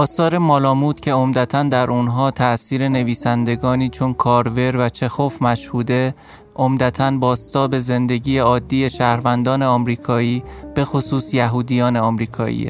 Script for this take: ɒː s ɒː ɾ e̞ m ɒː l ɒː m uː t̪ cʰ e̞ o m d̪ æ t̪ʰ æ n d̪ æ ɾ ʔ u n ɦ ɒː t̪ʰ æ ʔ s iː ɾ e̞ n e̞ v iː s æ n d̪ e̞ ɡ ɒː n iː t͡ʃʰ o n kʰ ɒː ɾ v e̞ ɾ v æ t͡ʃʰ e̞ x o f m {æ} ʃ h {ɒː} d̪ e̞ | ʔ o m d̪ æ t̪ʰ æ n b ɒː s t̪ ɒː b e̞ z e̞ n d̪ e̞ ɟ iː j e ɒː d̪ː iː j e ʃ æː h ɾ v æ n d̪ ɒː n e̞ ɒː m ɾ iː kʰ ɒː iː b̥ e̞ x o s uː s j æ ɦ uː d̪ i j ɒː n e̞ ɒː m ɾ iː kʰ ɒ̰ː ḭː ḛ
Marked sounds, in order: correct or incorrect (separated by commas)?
correct, incorrect